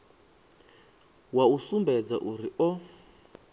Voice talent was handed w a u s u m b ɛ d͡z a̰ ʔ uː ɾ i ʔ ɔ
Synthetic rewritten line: w a u s u m b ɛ d͡z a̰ ʔ u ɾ i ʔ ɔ